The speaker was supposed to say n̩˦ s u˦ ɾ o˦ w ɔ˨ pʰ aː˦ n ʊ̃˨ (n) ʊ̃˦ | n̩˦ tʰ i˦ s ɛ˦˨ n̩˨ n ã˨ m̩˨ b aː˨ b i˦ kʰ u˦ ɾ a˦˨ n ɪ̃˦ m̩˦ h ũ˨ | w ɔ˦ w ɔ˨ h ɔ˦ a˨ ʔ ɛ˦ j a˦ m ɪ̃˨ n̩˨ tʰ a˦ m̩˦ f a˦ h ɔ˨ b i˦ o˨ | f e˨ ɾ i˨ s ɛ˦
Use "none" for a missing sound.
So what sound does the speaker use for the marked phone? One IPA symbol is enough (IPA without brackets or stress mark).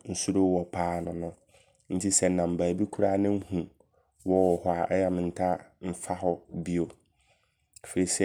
n